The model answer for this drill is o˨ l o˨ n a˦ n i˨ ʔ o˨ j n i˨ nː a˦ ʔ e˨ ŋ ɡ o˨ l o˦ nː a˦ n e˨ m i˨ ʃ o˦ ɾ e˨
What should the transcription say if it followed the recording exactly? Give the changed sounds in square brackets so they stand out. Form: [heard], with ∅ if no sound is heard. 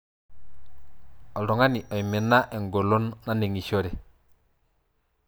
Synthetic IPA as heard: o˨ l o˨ [ŋ] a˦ n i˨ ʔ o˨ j [m] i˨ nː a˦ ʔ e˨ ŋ ɡ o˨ l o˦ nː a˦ n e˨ [ŋ] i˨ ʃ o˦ ɾ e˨